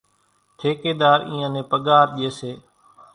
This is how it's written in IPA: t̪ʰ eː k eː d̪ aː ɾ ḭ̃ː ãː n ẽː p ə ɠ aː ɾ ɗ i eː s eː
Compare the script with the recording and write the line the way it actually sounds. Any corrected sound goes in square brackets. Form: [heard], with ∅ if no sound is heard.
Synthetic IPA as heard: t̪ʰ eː k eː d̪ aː ɾ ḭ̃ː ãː n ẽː p ə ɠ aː ɾ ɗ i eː s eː